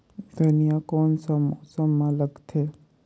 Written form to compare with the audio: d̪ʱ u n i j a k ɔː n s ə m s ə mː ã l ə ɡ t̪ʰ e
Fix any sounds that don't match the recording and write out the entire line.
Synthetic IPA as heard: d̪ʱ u n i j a k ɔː n s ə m s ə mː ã l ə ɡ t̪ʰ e